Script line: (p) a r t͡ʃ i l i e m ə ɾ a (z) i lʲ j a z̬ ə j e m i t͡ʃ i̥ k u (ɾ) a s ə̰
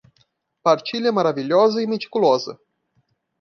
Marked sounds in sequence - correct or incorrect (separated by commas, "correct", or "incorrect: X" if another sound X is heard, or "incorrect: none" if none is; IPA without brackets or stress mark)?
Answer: correct, incorrect: v, incorrect: l